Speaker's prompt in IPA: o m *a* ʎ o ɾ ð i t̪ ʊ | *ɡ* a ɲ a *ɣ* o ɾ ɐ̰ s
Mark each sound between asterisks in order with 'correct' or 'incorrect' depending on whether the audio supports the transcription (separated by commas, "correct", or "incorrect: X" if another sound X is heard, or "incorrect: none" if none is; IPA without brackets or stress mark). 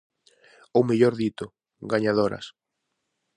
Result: incorrect: e, correct, incorrect: ð